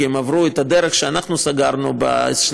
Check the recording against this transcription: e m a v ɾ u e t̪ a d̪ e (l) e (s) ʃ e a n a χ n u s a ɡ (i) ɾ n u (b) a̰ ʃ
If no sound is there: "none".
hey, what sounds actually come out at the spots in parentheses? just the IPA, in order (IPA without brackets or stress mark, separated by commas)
ɾ, χ, a, b